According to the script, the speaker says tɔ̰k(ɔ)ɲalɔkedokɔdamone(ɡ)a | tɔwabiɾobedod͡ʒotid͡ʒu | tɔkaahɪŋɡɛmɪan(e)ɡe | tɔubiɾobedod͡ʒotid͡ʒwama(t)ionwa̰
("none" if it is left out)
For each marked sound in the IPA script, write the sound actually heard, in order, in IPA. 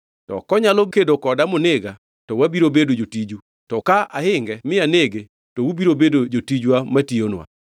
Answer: ɔ, ɡ, e, t

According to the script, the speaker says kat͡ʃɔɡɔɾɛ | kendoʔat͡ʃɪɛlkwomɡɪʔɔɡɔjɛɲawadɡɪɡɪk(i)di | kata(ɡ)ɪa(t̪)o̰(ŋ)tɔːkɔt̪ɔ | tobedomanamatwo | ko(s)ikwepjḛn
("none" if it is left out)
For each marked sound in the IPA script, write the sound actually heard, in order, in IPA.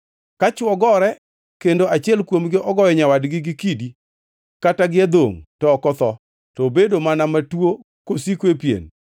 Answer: i, ɡ, d̪, ŋ, s

